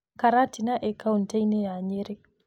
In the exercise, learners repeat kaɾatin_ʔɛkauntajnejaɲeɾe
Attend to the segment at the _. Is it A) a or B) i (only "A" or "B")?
A